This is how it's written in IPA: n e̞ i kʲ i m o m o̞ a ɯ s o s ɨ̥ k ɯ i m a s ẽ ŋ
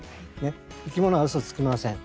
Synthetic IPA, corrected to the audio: n e̞ i kʲ i m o n o̞ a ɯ s o t͡s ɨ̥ k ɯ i m a s ẽ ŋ